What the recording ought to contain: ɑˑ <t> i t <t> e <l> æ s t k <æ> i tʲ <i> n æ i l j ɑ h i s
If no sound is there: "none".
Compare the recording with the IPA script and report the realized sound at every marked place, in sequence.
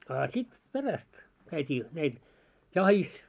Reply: s, p, r, æ, iː

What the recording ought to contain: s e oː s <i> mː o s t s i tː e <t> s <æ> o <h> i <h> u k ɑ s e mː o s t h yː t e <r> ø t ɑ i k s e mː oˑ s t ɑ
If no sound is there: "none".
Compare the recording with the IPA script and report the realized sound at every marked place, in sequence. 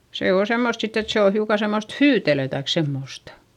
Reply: e, t, e, h, none, l

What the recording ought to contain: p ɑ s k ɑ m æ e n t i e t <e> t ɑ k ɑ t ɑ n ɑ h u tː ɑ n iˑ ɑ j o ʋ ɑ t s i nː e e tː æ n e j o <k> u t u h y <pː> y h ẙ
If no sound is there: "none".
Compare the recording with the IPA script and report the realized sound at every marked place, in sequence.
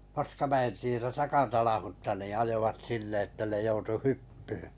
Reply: æ, none, pː

